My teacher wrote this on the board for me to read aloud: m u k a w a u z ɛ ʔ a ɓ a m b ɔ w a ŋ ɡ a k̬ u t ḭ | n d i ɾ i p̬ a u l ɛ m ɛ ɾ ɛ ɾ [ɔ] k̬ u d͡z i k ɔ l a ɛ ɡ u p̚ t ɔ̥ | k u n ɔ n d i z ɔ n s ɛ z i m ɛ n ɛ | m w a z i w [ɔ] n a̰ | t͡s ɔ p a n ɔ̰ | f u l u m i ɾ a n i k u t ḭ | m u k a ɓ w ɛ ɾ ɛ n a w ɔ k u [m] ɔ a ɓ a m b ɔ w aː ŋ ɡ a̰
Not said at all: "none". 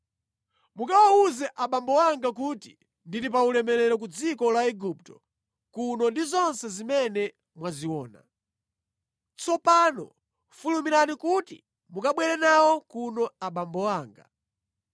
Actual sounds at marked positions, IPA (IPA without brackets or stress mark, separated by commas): ɔ, ɔː, n